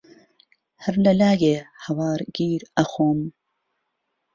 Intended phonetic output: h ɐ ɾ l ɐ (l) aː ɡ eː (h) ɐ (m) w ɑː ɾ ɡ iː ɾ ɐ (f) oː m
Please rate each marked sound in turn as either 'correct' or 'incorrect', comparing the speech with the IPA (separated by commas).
correct, correct, incorrect, incorrect